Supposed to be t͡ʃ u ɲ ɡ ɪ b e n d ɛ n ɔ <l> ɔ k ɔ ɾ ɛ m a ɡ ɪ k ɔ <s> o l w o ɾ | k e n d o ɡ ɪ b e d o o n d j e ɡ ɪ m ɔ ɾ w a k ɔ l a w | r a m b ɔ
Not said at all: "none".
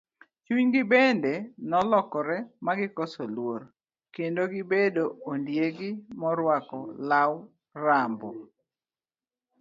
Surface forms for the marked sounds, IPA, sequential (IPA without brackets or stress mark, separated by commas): l, s